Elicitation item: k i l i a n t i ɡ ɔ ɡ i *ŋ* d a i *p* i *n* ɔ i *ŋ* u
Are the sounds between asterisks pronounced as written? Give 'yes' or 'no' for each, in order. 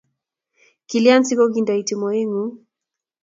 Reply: no, no, no, yes

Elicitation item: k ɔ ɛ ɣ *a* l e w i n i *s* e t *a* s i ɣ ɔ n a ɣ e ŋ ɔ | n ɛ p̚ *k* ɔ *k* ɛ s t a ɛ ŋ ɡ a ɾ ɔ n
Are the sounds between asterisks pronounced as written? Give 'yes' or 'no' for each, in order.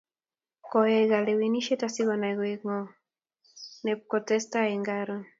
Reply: yes, no, yes, yes, no

